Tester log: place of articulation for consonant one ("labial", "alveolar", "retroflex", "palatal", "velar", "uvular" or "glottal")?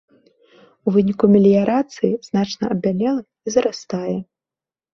labial